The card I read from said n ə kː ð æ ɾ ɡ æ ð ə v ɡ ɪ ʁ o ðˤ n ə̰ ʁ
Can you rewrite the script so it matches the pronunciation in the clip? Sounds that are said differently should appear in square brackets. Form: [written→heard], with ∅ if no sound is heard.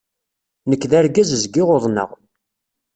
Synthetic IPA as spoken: n ə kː ð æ ɾ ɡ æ [ð→z] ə [v→z] ɡ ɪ ʁ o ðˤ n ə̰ ʁ